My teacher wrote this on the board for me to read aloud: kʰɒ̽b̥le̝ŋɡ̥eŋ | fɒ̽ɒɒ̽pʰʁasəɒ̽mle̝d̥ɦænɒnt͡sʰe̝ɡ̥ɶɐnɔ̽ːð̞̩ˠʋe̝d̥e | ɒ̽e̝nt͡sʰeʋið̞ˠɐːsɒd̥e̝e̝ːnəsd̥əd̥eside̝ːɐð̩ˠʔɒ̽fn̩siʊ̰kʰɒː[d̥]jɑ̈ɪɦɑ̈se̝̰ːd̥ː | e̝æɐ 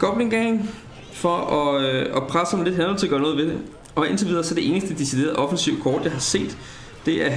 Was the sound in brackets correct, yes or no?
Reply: yes